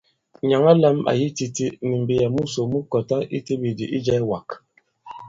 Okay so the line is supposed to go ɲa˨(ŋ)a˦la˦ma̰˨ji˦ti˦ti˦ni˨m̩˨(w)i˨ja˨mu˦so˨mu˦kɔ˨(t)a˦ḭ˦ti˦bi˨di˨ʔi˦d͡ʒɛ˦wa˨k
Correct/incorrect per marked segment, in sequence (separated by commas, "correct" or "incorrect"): correct, incorrect, correct